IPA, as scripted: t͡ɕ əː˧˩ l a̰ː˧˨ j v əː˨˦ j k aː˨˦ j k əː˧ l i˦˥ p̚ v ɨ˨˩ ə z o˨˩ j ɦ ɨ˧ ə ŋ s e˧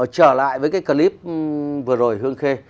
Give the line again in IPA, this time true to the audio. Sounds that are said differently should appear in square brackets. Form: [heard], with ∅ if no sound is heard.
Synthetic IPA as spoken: t͡ɕ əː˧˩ l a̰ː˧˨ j v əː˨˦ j k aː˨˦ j k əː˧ l i˦˥ p̚ v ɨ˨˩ ə z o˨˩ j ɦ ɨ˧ ə ŋ [x] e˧